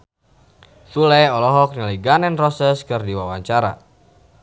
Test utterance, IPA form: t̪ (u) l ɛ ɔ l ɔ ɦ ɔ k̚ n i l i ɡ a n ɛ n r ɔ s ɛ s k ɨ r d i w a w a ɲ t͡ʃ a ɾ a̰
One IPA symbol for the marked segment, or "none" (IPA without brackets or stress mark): u